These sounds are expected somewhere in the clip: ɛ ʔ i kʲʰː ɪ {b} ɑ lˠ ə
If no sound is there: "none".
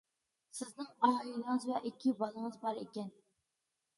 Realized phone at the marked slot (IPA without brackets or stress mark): b